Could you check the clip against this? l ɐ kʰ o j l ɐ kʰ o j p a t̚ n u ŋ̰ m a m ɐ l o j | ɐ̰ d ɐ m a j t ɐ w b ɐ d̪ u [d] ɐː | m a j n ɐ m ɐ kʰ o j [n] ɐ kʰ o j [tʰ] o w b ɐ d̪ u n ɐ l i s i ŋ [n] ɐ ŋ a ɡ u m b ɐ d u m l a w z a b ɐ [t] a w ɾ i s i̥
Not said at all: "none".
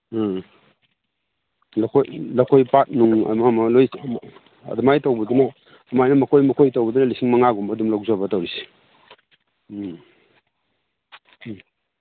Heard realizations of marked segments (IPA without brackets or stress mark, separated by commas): n, m, t, m, t